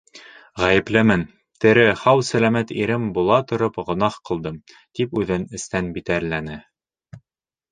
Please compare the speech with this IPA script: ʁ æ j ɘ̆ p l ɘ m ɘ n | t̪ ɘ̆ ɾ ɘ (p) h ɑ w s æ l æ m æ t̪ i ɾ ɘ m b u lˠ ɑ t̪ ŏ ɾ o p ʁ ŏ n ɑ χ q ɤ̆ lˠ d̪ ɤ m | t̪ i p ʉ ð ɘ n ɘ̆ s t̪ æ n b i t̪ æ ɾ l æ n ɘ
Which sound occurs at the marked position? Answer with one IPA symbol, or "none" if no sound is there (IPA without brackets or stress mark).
none